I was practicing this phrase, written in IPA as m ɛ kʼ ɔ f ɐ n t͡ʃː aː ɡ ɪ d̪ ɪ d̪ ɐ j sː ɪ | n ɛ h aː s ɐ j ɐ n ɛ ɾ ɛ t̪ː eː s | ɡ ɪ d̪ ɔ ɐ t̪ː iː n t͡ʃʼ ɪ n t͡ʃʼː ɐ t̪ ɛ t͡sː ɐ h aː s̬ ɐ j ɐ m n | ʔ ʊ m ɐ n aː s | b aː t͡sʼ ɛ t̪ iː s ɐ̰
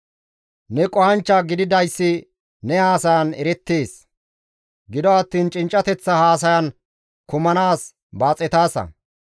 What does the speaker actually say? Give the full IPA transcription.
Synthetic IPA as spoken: n ɛ kʼ ɔ h ɐ n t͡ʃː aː ɡ ɪ d̪ ɪ d̪ ɐ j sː ɪ | n ɛ h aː s ɐ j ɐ n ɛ ɾ ɛ t̪ː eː s | ɡ ɪ d̪ ɔ ɐ t̪ː iː n t͡ʃʼ ɪ n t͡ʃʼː ɐ t̪ ɛ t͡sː ɐ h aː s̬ ɐ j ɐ n | k ʊ m ɐ n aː s | b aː t͡sʼ ɛ t̪ aː s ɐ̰